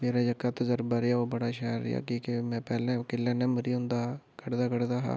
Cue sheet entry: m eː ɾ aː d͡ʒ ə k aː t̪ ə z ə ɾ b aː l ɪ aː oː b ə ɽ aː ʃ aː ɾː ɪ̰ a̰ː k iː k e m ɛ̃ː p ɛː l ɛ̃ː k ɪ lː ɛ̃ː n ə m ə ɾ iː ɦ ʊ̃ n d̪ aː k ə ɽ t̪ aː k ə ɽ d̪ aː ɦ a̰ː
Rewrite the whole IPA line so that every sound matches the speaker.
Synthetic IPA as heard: m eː ɾ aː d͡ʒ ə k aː t̪ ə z ə ɾ b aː ɾ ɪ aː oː b ə ɽ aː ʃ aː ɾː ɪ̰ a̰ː k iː k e m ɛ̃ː p ɛː l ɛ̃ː k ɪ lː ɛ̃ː n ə m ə ɾ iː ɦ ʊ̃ n d̪ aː k ə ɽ d̪ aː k ə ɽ d̪ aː ɦ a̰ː